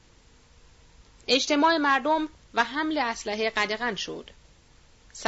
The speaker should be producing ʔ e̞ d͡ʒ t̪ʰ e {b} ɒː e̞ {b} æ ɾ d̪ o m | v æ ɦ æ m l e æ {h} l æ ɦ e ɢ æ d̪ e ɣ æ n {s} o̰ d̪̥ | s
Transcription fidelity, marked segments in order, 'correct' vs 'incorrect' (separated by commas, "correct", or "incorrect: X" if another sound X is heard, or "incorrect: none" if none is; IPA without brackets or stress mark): incorrect: m, incorrect: m, incorrect: s, incorrect: ʃ